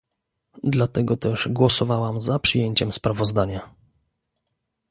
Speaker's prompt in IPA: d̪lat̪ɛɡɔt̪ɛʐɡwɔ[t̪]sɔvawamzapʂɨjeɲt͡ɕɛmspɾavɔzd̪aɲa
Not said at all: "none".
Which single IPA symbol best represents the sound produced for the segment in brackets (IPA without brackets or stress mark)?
none